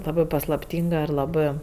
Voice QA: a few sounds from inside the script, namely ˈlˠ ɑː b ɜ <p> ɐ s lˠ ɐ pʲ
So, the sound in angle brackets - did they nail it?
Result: yes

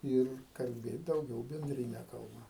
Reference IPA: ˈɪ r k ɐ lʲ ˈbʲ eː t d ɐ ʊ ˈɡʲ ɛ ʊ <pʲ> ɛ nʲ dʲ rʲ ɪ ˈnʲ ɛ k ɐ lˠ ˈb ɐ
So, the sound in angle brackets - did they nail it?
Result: no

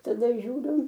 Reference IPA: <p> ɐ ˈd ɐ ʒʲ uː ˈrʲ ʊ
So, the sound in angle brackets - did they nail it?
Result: no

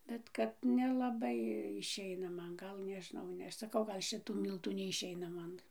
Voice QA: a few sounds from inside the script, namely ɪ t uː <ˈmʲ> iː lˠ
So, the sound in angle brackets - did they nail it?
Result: yes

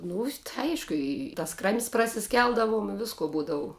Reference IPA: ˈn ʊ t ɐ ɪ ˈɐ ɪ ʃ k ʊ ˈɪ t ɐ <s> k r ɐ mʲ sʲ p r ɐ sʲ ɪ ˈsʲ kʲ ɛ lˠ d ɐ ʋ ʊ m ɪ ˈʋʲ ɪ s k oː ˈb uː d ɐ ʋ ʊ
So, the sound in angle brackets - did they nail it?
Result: yes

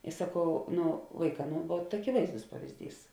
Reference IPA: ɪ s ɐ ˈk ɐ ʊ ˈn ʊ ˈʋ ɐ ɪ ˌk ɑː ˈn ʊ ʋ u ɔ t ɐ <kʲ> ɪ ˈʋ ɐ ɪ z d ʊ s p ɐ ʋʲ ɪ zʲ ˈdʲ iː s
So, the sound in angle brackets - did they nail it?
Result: yes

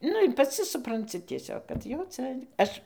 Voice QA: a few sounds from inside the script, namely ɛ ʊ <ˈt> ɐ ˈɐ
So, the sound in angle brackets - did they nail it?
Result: no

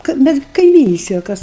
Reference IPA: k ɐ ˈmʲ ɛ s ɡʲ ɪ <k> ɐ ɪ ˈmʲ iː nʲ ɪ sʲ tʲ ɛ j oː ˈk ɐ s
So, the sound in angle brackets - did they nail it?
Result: yes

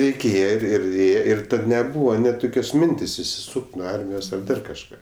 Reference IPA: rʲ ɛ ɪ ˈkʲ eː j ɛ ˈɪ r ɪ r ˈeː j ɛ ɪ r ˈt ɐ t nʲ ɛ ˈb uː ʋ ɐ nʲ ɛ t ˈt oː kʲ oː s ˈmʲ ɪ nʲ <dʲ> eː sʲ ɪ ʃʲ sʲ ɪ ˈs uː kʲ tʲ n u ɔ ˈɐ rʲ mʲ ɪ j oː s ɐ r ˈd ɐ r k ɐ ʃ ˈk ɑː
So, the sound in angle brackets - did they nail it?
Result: no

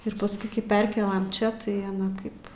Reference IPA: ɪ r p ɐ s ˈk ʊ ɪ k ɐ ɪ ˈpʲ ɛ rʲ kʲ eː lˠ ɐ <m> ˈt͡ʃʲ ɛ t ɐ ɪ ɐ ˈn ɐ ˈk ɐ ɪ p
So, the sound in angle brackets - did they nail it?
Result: yes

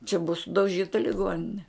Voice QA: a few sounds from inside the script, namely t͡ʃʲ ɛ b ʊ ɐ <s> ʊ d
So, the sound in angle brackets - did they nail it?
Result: yes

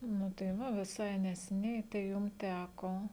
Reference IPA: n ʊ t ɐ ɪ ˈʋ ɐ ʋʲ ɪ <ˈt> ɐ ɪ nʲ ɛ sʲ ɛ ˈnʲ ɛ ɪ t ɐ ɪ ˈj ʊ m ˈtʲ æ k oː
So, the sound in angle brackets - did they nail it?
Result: no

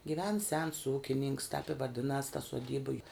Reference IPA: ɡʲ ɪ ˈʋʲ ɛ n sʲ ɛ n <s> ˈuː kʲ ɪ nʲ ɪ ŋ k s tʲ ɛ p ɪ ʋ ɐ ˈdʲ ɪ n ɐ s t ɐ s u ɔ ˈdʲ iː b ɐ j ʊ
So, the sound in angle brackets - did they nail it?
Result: yes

